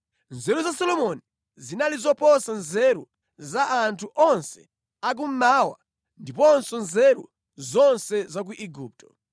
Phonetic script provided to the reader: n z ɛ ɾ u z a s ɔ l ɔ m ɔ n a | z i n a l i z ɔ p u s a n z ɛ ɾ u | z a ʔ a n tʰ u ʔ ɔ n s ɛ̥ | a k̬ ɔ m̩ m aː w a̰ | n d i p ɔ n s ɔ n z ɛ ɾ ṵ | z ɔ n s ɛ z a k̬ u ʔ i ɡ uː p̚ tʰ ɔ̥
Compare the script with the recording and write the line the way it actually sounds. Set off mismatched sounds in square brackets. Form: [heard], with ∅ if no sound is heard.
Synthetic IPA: n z ɛ ɾ u z a s ɔ l ɔ m ɔ n [i] | z i n a l i z ɔ p [ɔ] s a n z ɛ ɾ u | z a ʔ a n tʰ u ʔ ɔ n s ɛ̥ | a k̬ [u] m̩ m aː w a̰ | n d i p ɔ n s ɔ n z ɛ ɾ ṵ | z ɔ n s ɛ z a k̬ u ʔ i ɡ uː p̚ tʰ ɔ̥